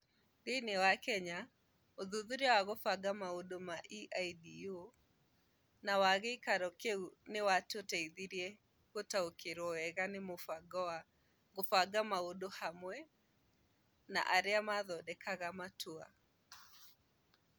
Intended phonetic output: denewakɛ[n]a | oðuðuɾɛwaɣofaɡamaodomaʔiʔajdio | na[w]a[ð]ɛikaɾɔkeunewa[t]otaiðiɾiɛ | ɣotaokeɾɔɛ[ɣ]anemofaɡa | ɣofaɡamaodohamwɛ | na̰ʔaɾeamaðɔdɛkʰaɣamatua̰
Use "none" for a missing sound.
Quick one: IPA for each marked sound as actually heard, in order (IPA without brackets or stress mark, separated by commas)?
ɲ, w, ɣ, t, ɣ